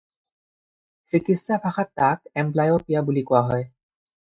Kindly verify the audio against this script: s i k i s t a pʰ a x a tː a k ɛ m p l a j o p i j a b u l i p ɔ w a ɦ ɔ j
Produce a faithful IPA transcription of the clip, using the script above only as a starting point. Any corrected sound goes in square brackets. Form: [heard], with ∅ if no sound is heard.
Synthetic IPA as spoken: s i k i s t a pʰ a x a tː a k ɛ m p l a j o p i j a b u l i [k] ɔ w a ɦ ɔ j